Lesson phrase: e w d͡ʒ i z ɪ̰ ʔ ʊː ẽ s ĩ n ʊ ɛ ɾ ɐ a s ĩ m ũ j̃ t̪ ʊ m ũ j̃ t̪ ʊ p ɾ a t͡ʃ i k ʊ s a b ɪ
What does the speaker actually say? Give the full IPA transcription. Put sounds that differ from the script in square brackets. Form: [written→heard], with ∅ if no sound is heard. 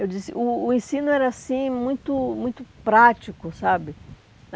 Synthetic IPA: e w d͡ʒ i [z→s] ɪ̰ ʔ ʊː ẽ s ĩ n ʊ ɛ ɾ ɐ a s ĩ m ũ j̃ t̪ ʊ m ũ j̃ t̪ ʊ p ɾ a t͡ʃ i k ʊ s a b ɪ